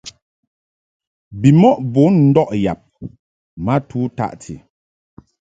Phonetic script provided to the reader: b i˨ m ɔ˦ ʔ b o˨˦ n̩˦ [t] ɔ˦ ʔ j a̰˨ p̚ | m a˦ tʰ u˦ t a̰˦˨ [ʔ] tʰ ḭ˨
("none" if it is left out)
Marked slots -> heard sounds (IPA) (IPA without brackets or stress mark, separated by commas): d, ʔ